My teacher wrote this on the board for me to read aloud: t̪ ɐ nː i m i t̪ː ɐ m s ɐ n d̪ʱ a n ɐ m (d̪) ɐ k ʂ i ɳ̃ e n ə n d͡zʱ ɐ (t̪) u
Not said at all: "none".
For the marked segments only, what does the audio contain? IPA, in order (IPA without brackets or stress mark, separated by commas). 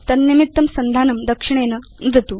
d̪, t̪